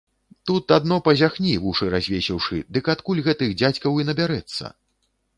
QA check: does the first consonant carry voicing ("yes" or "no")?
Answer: no